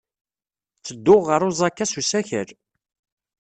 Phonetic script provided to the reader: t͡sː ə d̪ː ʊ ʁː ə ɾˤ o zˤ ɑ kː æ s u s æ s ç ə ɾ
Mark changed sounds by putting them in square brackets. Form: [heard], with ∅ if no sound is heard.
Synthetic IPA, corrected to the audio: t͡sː ə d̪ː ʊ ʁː ə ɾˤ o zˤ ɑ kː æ s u s æ [∅] ç ə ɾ